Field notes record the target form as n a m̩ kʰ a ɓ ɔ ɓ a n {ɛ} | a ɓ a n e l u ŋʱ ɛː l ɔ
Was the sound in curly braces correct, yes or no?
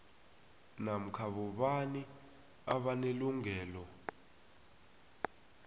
no